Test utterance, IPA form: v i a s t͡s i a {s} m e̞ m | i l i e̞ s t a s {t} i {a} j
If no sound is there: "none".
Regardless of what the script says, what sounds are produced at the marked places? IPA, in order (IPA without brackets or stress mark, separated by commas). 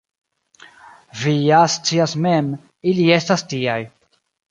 s, t, a